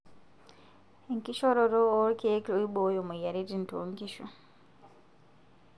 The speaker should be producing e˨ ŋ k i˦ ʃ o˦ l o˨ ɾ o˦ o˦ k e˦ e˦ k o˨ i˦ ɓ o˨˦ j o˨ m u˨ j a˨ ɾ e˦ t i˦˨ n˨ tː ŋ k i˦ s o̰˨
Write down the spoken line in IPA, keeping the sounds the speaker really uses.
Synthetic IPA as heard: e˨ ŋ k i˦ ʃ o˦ ɾ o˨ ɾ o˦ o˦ k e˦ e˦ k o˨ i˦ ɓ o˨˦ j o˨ m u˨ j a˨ ɾ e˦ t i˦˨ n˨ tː ŋ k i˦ ʃ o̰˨